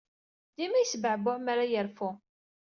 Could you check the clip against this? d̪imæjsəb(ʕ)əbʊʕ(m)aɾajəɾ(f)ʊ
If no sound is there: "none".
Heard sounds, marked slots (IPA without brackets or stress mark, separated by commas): ʕ, m, f